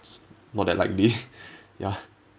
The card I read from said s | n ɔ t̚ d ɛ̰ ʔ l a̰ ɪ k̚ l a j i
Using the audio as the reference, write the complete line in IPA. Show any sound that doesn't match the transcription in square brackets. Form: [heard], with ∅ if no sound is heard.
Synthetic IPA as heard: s | n ɔ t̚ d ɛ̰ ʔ l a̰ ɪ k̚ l [i] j [a]